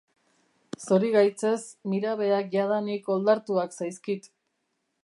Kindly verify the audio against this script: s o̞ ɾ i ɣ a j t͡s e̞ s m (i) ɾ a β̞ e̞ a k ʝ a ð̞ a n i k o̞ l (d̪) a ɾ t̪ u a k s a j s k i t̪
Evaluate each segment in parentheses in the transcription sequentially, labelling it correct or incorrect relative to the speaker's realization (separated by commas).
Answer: correct, correct